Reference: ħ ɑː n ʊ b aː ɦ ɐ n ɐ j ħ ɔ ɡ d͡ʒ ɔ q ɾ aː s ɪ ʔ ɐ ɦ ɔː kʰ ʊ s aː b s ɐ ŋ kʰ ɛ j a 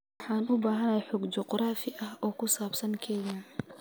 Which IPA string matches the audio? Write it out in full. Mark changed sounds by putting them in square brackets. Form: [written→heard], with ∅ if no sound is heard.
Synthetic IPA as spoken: ħ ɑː n ʊ b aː ɦ ɐ n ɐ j ħ ɔ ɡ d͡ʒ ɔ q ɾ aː [s→f] ɪ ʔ ɐ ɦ ɔː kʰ ʊ s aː b s ɐ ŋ kʰ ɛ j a